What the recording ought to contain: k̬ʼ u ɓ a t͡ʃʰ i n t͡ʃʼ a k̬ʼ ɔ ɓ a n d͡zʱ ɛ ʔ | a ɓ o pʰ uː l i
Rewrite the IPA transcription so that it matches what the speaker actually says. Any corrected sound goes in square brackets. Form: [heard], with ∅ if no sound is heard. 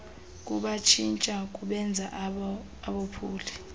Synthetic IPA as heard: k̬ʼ u ɓ a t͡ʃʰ i n t͡ʃʼ a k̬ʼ [u] ɓ [ɛ] n d͡zʱ [a] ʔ | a ɓ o pʰ uː l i